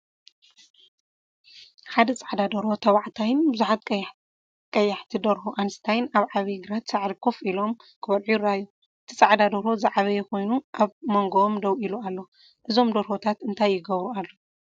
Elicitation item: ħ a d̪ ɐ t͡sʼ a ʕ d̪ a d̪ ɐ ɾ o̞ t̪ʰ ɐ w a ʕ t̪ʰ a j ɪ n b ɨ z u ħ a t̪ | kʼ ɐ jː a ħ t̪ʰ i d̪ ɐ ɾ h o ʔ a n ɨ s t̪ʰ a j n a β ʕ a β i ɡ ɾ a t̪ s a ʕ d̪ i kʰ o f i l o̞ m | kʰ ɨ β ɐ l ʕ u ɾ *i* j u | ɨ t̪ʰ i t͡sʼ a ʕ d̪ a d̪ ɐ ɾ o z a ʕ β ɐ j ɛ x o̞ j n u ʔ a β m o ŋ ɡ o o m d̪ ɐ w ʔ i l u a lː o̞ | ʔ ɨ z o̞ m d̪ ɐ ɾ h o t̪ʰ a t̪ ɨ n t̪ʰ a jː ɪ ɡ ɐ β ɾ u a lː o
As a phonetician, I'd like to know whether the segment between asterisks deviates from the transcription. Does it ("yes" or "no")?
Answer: yes